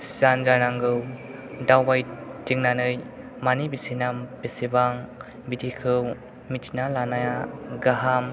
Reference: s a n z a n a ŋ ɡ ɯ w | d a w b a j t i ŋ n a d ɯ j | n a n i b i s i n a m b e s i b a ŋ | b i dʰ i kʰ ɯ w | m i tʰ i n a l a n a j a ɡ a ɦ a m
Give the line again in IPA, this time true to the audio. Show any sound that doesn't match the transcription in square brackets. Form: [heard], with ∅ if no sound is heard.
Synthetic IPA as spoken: s a n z a n a ŋ ɡ ɯ w | d a w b a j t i ŋ n a [n] ɯ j | [m] a n i b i s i n a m b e s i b a ŋ | b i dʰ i kʰ ɯ w | m i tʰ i n a l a n a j a ɡ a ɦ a m